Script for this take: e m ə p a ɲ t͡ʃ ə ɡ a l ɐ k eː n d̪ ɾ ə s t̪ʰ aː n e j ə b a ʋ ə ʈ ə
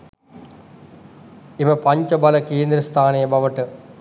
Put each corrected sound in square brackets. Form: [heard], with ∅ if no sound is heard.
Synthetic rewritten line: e m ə p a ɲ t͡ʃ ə [b] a l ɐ k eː n d̪ ɾ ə s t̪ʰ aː n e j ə b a ʋ ə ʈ ə